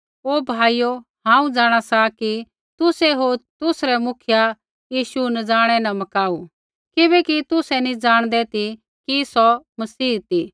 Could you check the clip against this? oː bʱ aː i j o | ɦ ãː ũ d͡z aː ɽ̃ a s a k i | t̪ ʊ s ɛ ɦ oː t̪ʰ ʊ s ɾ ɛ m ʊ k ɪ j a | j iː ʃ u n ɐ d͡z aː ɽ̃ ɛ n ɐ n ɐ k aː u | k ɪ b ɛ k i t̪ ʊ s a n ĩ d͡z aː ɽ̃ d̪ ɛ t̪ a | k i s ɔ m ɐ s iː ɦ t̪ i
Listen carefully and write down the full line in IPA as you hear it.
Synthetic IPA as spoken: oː bʱ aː i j o | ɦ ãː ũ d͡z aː ɽ̃ a s a k i | t̪ ʊ s ɛ ɦ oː t̪ ʊ s ɾ ɛ m ʊ kʰ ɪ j a | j iː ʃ u n ɐ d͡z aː ɽ̃ ɛ n ɐ m ɐ k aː u | k ɪ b ɛ k i t̪ ʊ s ɛ n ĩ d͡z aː ɽ̃ d̪ ɛ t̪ i | k i s ɔ m ɐ s iː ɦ t̪ i